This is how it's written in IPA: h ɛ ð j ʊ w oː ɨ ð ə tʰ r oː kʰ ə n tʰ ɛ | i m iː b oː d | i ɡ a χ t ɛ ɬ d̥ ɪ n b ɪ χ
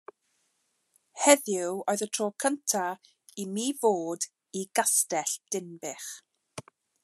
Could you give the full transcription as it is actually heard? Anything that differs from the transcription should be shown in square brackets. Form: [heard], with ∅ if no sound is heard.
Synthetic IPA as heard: h ɛ ð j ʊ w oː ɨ ð ə tʰ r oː kʰ ə n tʰ [a] | i m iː [v] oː d | i ɡ a [s] t ɛ ɬ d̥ ɪ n b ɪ χ